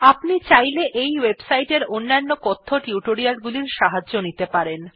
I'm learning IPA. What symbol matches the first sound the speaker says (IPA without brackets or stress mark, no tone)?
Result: a